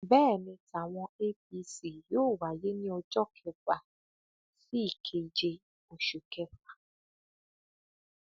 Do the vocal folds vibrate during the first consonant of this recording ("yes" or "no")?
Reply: yes